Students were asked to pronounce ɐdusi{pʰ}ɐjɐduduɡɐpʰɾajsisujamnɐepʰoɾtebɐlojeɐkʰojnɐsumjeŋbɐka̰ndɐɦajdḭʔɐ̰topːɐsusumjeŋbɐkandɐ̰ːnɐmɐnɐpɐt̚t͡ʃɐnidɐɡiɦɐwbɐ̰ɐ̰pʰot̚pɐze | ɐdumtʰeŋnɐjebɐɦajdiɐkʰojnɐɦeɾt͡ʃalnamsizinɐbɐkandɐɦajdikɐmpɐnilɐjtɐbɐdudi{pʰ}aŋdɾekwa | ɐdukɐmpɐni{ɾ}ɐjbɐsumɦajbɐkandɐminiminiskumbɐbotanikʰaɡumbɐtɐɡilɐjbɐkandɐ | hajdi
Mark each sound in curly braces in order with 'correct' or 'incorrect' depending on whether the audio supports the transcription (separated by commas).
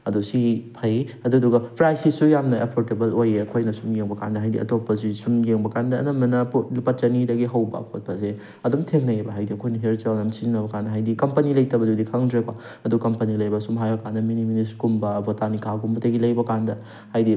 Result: correct, incorrect, incorrect